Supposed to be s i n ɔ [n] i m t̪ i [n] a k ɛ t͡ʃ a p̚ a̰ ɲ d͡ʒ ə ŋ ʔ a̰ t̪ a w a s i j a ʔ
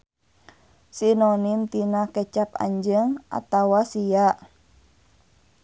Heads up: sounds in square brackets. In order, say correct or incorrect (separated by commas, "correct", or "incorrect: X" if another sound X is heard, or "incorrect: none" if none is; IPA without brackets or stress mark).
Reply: correct, correct